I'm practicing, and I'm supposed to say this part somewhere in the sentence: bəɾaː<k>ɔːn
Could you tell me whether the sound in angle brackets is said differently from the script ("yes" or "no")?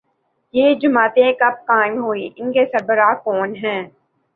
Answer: no